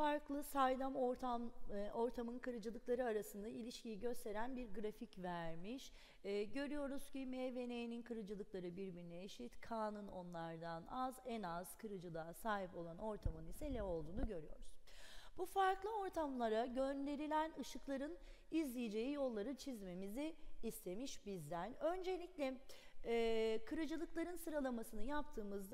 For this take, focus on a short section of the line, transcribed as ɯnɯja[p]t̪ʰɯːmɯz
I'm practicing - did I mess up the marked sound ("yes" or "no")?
no